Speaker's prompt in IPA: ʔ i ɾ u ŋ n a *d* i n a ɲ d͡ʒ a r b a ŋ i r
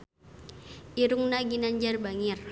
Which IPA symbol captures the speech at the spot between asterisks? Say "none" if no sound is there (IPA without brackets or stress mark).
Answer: ɡ